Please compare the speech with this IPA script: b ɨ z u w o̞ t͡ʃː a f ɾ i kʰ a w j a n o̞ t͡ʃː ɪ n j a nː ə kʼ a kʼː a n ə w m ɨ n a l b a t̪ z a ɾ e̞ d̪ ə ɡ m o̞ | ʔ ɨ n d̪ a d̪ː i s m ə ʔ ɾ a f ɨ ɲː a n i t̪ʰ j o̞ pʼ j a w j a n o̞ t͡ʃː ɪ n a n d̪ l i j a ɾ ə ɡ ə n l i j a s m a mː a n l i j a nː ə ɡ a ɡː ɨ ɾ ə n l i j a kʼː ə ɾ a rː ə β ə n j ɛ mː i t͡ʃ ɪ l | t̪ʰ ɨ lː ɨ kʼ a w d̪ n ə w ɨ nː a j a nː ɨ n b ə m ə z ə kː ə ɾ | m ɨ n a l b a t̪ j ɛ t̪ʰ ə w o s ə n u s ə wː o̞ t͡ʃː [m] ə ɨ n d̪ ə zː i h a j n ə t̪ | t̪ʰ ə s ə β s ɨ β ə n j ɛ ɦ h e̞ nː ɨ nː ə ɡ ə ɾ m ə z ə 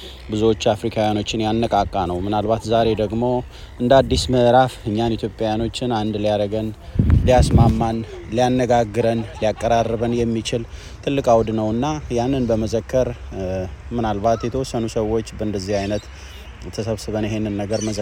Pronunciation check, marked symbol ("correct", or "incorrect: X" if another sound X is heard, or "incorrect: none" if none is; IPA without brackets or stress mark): incorrect: b